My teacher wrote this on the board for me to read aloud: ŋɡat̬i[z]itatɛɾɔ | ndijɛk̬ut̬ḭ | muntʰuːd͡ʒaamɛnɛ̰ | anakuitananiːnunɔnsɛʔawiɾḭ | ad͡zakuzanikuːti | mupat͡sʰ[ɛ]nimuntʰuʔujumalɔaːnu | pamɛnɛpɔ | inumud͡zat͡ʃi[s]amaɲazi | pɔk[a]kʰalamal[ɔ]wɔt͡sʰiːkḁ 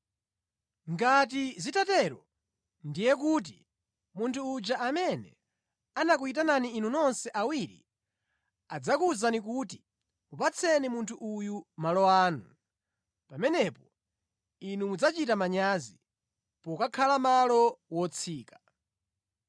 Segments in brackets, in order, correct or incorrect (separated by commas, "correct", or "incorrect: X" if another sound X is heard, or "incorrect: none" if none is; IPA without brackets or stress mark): correct, correct, incorrect: t, correct, correct